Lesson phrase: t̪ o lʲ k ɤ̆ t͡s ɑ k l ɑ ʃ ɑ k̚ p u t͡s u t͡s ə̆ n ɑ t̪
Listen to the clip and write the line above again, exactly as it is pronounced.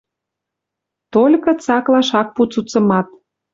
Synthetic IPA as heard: t̪ o lʲ k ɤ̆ t͡s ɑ k l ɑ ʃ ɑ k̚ p u t͡s u t͡s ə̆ m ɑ t̪